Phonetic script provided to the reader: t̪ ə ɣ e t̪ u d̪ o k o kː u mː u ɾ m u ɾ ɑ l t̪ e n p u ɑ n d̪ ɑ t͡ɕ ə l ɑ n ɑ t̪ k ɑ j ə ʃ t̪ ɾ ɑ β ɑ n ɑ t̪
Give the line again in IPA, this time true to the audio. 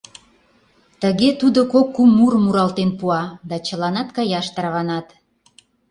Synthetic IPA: t̪ ə ɣ e t̪ u d̪ o k o kː u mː u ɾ m u ɾ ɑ l t̪ e n p u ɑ d̪ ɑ t͡ɕ ə l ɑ n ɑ t̪ k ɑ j ɑ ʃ t̪ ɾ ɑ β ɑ n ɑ t̪